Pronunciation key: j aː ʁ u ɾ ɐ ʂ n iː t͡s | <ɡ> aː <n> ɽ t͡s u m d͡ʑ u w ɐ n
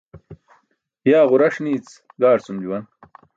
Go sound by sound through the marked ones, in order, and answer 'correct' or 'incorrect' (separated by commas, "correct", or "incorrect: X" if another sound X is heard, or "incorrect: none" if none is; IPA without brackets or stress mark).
correct, incorrect: none